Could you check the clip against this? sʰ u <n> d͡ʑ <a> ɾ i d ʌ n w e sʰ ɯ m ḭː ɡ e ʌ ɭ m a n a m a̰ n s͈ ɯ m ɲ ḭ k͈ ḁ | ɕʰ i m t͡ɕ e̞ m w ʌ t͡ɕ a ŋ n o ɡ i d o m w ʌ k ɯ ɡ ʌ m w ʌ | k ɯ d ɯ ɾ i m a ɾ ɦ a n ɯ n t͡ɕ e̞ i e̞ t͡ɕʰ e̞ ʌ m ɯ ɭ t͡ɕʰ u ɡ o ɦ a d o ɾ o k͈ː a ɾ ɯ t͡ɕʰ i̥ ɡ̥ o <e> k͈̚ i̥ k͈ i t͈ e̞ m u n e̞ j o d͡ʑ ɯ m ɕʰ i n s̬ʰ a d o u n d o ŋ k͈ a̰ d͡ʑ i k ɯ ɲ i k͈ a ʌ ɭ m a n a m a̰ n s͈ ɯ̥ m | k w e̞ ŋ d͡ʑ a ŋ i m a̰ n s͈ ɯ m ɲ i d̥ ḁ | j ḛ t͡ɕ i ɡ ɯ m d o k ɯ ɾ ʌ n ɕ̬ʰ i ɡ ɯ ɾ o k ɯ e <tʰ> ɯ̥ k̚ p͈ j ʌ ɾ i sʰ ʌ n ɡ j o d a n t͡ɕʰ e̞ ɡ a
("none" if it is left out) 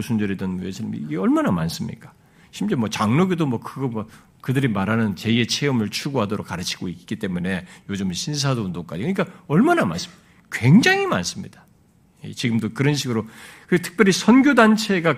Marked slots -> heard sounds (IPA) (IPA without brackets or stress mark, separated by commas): n, ʌ, i, tʰ